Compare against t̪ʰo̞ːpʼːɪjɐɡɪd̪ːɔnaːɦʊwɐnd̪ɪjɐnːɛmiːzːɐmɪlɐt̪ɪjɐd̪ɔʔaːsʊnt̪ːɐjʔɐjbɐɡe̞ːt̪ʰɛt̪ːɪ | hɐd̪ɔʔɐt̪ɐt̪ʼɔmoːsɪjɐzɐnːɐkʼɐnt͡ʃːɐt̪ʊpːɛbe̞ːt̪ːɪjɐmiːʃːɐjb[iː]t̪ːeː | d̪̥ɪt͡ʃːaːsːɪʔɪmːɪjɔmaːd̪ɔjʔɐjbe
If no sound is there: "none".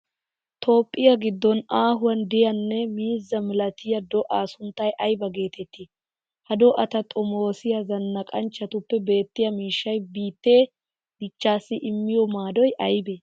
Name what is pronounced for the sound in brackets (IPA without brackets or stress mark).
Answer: iː